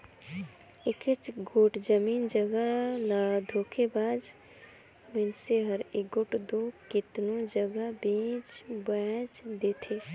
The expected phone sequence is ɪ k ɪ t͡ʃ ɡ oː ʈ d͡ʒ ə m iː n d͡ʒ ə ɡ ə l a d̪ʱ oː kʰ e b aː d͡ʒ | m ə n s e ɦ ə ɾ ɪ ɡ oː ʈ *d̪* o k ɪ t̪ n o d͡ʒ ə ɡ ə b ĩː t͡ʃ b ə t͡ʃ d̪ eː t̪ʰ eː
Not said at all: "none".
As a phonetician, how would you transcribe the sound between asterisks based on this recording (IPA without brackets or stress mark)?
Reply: d̪